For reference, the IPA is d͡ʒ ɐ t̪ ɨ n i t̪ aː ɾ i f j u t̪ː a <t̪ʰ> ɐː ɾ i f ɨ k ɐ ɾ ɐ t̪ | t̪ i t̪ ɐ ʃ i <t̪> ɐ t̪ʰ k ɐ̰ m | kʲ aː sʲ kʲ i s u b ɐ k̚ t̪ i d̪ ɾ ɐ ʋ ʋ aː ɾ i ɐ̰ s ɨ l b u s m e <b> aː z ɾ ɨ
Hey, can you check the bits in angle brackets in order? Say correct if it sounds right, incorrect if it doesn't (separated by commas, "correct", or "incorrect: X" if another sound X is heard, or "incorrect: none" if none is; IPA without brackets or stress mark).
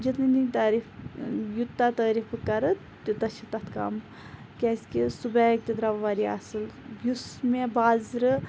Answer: incorrect: t̪, correct, correct